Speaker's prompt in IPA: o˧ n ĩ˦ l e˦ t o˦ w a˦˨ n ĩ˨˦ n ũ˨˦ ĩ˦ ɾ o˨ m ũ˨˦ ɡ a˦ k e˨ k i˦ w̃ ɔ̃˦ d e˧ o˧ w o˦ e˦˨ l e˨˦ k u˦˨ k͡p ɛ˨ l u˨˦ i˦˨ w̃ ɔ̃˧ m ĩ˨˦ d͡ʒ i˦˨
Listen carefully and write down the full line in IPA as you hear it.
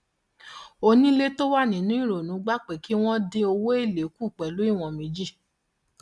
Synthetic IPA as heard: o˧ n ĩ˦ l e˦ t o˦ w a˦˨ n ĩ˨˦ n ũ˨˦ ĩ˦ ɾ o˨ n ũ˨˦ ɡ͡b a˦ k͡p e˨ k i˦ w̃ ɔ̃˦ d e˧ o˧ w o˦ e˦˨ l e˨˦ k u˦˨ k͡p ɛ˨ l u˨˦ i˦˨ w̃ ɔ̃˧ m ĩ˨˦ d͡ʒ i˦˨